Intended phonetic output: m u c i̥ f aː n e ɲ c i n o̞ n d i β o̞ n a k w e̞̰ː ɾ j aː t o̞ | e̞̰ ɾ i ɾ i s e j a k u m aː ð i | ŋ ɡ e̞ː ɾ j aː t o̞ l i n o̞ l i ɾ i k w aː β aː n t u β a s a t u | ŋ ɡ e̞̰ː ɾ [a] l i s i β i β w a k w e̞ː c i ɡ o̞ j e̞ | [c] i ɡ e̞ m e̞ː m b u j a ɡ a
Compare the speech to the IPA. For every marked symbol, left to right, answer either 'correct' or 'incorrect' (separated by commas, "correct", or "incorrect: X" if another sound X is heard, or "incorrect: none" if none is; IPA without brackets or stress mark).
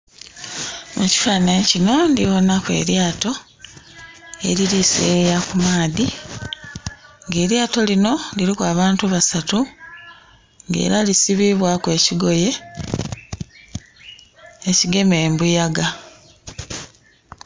correct, correct